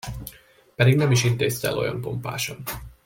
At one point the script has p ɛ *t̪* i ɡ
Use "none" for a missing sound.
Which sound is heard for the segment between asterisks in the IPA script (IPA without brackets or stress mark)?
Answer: d̪